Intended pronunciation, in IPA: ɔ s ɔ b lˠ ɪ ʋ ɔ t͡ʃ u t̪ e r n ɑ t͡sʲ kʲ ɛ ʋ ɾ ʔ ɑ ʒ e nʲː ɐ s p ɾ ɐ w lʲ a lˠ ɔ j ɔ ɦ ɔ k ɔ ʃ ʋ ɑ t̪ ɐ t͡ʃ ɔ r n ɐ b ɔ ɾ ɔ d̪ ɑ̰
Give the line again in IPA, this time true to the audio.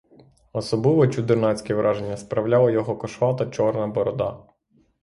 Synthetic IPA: ɔ s ɔ b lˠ ɪ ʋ ɔ t͡ʃ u d̪ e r n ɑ t͡sʲ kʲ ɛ ʋ ɾ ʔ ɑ ʒ e nʲː ɐ s p ɾ ɐ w lʲ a lˠ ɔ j ɔ ɦ ɔ k ɔ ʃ ʋ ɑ t̪ ɐ t͡ʃ ɔ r n ɐ b ɔ ɾ ɔ d̪ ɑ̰